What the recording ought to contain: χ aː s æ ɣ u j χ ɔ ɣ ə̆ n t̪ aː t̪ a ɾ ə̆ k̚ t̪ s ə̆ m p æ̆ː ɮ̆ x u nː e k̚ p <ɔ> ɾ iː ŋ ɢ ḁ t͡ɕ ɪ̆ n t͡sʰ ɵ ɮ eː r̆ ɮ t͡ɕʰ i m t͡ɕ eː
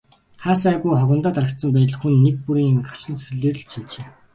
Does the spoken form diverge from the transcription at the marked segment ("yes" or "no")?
yes